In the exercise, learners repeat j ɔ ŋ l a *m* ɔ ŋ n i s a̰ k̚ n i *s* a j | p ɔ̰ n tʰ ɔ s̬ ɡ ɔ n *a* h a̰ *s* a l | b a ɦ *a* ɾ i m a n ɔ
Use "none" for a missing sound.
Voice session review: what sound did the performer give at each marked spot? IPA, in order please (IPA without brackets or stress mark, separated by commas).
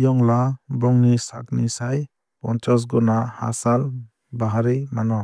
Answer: b, s, a, s, a